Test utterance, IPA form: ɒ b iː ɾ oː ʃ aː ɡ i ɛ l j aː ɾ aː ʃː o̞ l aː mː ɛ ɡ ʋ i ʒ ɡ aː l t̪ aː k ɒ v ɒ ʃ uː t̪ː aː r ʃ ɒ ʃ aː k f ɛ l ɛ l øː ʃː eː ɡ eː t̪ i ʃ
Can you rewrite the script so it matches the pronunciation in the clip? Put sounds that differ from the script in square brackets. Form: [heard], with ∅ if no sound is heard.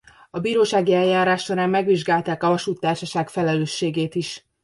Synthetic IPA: ɒ b iː ɾ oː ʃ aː ɡ i ɛ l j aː ɾ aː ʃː o̞ [ɾ] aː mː ɛ ɡ ʋ i ʒ ɡ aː l t̪ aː k ɒ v ɒ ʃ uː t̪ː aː r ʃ ɒ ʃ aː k f ɛ l ɛ l øː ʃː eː ɡ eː t̪ i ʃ